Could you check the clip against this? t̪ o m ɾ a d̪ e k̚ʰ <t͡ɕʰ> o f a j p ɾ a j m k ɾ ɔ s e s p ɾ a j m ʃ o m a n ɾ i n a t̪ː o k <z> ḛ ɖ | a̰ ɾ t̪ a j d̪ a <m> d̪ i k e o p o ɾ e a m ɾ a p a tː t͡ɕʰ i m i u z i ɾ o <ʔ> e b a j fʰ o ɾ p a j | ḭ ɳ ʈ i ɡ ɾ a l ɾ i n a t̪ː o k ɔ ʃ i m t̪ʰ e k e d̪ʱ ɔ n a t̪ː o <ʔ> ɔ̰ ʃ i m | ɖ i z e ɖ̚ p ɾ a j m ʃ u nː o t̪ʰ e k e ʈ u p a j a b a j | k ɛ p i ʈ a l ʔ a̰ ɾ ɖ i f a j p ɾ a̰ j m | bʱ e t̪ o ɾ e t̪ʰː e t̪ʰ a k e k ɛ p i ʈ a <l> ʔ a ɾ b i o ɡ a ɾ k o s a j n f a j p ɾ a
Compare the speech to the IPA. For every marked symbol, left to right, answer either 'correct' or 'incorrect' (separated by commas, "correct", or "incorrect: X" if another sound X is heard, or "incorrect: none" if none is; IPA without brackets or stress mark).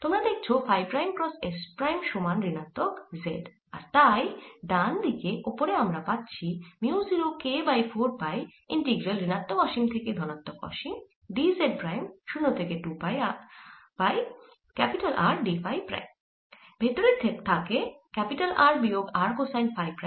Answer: correct, correct, incorrect: n, incorrect: k, incorrect: k, correct